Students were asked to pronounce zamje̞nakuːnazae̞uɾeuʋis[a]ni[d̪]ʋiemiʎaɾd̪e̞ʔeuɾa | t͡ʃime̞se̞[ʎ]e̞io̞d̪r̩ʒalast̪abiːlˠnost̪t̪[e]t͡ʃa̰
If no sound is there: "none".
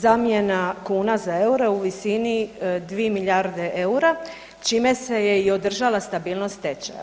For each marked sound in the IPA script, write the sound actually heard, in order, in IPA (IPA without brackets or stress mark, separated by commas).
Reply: i, d̪, j, e